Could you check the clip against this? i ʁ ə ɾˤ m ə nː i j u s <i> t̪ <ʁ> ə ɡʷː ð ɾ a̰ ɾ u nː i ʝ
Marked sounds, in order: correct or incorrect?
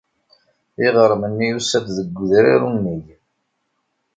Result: incorrect: æ, incorrect: ð

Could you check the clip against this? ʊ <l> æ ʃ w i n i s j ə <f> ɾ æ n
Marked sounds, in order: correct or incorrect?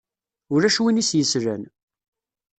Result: incorrect: ɾ, incorrect: s

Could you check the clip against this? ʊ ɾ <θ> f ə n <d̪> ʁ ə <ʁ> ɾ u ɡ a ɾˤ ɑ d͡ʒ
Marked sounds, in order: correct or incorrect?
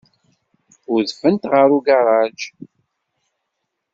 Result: incorrect: ð, incorrect: t̪, incorrect: none

